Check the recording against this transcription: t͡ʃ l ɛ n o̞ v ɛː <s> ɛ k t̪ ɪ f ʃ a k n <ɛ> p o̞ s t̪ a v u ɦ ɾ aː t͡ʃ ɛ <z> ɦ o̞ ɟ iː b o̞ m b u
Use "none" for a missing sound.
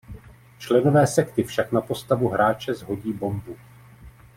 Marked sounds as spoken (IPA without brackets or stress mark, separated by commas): s, a, z